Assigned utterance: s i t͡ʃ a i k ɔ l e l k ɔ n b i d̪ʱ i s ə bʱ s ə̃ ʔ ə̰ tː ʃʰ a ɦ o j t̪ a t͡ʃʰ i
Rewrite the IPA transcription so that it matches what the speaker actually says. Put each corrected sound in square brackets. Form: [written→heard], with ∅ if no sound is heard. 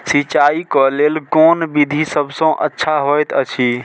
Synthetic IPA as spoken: s i t͡ʃ a i k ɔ l e l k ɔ n b i d̪ʱ i s ə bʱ s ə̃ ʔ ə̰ tː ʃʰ a ɦ o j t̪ [a→ə] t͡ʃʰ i